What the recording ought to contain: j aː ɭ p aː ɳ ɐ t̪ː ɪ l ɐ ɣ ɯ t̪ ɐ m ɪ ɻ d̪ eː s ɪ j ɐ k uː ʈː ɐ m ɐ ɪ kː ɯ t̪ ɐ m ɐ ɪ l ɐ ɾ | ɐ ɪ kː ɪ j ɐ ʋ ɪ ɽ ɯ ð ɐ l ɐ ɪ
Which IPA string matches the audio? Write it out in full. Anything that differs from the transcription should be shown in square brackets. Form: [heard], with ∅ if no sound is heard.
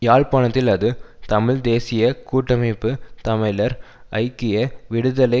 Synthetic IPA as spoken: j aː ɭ p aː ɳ ɐ t̪ː ɪ l ɐ [ð] ɯ t̪ ɐ m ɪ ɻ d̪ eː s ɪ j ɐ k uː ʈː ɐ m ɐ ɪ [pː] ɯ t̪ ɐ m ɐ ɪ l ɐ ɾ | ɐ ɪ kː ɪ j ɐ ʋ ɪ ɽ ɯ ð ɐ l ɐ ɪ